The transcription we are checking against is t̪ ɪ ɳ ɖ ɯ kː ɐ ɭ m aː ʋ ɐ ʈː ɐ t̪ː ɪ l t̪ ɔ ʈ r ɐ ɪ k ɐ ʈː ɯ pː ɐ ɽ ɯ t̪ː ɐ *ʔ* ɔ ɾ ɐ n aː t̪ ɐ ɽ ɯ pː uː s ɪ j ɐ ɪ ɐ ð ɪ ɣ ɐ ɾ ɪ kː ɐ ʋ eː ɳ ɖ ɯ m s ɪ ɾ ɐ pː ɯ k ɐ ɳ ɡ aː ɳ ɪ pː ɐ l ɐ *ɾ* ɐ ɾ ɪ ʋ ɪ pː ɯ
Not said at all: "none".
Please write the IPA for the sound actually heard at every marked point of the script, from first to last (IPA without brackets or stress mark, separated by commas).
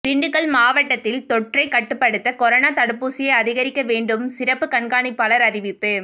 k, ɾ